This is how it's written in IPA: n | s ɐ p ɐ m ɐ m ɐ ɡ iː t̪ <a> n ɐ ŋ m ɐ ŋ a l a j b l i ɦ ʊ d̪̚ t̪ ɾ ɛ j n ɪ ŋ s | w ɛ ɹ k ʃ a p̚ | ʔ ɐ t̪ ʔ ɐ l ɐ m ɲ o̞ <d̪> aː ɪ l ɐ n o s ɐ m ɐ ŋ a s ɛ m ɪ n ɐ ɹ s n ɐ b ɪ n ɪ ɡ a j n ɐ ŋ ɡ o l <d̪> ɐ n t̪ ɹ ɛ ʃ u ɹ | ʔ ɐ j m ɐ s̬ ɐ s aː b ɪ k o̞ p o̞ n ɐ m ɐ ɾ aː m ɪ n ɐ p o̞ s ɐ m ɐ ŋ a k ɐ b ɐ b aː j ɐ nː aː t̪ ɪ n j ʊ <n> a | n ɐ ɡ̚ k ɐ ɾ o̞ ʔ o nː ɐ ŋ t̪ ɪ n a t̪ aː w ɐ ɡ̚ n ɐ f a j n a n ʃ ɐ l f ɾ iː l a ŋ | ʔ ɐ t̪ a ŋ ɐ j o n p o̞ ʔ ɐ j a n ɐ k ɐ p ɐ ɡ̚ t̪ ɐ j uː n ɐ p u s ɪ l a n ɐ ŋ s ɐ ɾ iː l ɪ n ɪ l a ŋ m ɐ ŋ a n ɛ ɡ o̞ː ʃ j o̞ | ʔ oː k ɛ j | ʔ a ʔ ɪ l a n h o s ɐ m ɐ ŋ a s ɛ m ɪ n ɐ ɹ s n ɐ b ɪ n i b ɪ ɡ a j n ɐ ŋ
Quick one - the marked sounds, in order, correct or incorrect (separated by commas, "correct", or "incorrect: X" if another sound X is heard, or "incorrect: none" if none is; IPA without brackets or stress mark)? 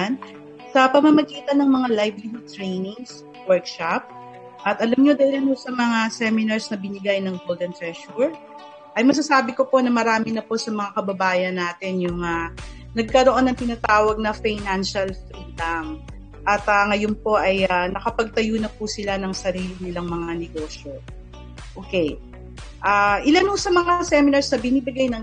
incorrect: ɐ, correct, correct, incorrect: ŋ